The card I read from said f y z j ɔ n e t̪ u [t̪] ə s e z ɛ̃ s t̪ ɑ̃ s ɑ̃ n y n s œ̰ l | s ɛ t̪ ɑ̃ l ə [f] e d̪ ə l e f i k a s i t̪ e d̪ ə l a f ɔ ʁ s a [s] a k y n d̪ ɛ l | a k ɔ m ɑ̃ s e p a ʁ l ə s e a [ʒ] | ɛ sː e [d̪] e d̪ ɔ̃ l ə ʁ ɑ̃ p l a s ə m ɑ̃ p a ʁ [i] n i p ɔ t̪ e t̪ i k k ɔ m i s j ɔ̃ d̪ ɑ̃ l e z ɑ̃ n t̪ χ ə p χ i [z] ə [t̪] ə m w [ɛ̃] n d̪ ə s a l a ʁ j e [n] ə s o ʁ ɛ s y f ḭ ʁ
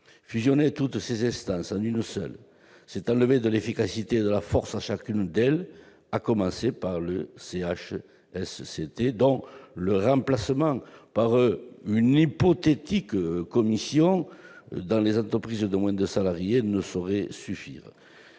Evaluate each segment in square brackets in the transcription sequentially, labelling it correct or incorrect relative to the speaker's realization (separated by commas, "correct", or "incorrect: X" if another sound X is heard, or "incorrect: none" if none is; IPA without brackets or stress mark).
correct, incorrect: v, incorrect: ʃ, incorrect: ʃ, incorrect: t̪, incorrect: y, correct, incorrect: d̪, correct, correct